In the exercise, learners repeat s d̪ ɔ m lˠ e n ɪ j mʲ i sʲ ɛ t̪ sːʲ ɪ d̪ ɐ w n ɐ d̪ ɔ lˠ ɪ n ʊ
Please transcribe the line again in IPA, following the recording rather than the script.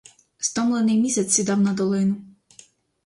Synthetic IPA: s t̪ ɔ m lˠ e n ɪ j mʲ i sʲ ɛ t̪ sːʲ i d̪ ɑ w n ɐ d̪ ɔ lˠ ɪ n ʊ